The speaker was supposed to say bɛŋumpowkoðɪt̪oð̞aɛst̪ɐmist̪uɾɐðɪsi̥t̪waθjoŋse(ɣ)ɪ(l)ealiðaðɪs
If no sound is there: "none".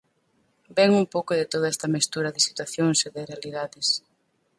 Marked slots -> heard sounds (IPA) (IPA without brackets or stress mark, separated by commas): ð, r